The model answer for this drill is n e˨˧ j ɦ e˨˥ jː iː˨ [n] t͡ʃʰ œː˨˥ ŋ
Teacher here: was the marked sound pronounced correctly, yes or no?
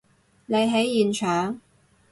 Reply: yes